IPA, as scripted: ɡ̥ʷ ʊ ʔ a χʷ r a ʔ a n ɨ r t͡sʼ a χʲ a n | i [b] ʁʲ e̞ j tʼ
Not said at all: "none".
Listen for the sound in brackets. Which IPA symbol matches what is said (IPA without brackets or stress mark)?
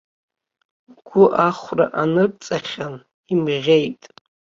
m